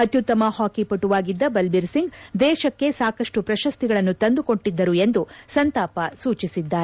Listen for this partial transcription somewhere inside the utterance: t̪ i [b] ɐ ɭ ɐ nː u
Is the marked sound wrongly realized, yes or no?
yes